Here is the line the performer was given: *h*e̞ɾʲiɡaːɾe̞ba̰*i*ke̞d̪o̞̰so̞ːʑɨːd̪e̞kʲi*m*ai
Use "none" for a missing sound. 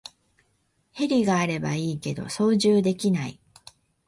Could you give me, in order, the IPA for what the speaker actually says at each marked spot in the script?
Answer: h, iː, n

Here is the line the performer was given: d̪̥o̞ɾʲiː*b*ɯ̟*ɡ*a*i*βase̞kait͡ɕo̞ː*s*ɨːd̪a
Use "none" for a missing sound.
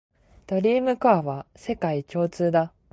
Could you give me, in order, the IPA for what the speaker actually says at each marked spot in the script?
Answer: m, k, a, t͡s

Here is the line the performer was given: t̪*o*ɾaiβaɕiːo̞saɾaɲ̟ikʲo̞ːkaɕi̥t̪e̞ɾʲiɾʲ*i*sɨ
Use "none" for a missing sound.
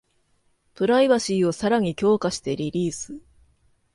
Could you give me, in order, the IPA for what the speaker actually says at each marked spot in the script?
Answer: o, iː

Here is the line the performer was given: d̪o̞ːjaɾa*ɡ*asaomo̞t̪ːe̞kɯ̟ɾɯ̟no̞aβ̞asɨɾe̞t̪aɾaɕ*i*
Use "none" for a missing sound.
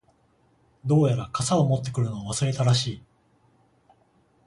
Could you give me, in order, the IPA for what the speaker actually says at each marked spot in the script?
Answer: k, iː

